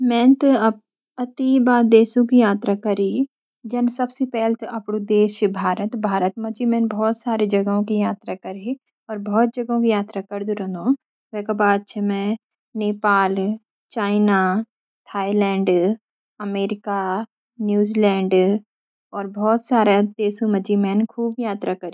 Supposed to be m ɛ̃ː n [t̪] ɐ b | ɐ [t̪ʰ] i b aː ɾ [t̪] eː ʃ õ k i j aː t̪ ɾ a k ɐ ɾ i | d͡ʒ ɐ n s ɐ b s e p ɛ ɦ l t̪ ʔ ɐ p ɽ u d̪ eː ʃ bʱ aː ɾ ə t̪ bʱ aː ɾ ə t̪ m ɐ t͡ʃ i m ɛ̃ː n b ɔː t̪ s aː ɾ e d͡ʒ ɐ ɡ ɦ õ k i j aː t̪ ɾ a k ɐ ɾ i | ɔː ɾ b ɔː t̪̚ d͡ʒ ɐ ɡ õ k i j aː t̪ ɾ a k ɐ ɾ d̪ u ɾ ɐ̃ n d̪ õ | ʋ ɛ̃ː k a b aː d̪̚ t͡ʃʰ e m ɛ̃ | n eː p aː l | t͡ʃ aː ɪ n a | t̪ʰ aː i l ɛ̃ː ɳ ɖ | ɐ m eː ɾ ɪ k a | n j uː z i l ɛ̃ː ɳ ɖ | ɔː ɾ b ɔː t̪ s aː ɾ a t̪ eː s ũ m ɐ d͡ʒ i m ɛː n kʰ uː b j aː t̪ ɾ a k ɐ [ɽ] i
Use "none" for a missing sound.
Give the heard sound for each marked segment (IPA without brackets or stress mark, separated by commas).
t̪, t̪, d̪, ɾ